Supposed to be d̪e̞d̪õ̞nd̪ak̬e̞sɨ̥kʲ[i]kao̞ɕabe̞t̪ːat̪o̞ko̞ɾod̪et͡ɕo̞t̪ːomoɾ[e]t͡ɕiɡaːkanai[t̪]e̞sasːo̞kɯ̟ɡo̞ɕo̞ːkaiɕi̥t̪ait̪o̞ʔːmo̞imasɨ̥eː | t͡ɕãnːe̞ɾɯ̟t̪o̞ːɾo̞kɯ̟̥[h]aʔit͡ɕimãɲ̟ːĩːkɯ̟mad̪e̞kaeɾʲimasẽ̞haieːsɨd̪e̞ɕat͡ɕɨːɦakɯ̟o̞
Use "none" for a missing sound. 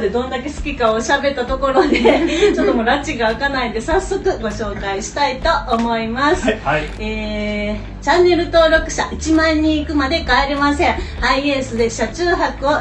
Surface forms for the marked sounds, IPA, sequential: i, a, d̪, ɕ

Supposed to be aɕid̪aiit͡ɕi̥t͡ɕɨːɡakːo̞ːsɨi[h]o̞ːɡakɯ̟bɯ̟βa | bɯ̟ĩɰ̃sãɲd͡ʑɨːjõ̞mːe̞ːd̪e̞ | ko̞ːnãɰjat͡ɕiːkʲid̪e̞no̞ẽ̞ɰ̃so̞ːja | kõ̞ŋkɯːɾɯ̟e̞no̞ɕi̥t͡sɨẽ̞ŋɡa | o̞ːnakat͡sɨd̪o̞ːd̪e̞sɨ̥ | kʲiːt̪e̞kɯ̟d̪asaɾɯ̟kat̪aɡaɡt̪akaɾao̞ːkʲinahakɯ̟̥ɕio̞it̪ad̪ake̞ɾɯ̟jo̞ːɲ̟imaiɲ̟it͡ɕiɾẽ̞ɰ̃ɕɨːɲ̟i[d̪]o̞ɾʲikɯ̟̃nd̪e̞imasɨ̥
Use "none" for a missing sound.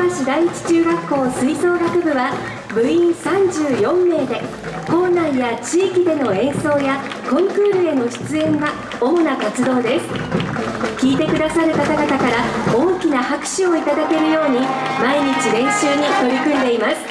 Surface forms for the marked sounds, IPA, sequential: s, t̪

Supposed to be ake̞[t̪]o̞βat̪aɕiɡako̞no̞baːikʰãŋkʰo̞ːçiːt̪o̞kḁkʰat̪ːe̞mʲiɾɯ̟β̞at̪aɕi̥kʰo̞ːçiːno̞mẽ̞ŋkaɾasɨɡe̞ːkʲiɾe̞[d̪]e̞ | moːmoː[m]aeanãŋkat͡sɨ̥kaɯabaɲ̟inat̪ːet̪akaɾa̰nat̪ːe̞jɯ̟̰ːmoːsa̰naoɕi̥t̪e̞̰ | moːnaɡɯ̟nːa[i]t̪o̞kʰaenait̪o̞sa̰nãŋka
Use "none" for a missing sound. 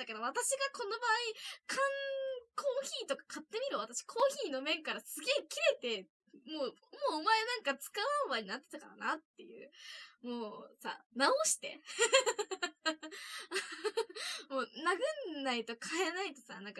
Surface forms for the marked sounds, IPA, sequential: d̪, t̪, m, i

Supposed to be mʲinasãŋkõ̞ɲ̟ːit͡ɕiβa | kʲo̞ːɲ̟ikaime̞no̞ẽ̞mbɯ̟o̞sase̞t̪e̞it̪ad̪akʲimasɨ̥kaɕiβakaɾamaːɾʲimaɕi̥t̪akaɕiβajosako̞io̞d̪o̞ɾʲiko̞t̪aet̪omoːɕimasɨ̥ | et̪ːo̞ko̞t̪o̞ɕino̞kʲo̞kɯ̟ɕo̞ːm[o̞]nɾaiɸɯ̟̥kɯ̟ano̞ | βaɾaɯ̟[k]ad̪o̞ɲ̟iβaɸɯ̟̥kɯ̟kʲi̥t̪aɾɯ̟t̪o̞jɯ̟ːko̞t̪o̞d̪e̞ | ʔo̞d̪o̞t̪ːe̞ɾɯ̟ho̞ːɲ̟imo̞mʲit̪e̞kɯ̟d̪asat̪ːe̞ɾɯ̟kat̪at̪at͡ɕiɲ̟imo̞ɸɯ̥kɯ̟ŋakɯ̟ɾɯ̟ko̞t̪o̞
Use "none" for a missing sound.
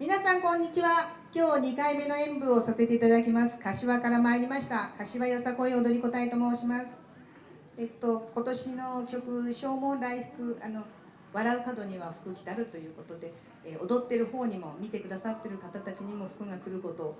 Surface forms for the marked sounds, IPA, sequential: õ̞, k

